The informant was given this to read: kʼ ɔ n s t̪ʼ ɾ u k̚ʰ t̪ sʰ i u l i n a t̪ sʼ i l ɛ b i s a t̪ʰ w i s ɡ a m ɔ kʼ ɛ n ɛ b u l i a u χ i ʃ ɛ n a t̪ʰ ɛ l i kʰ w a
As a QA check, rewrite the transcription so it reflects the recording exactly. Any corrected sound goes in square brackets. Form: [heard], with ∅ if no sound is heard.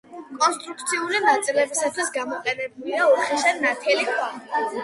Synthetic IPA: kʼ ɔ n s t̪ʼ ɾ u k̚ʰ t̪ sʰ i u l i n a t̪ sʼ i l ɛ b i s a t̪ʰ w i s ɡ a m ɔ [qʼ] ɛ n ɛ b u l i a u χ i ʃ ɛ n a t̪ʰ ɛ l i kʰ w a